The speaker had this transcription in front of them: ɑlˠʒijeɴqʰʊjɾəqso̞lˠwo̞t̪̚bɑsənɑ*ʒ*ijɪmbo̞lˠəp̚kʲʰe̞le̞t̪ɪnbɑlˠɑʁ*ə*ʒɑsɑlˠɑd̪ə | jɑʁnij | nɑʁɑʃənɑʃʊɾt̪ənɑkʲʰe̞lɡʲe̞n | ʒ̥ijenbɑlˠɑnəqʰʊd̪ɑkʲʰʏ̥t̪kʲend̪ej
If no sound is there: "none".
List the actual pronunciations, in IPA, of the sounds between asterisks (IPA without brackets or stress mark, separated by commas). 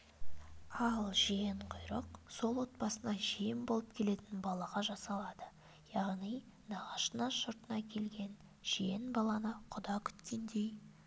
ʒ, ɑ